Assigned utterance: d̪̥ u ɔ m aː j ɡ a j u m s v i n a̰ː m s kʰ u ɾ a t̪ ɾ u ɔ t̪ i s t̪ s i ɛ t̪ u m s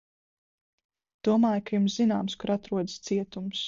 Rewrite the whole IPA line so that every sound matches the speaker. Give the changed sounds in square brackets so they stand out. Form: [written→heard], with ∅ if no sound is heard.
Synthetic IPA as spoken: d̪̥ u ɔ m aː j [ɡ→k] a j u m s [v→z] i n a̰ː m s [kʰ→k] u ɾ a t̪ ɾ u ɔ [t̪→d̪] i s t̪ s i ɛ t̪ u m s